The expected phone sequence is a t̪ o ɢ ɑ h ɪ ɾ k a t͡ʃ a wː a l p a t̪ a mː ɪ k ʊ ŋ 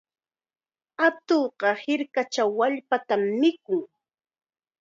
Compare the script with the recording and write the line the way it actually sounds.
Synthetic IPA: a t̪ o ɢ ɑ h ɪ ɾ k a t͡ʃ a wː a ʎ p a t̪ a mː ɪ k ʊ ŋ